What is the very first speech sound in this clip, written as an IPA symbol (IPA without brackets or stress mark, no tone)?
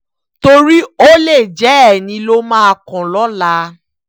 t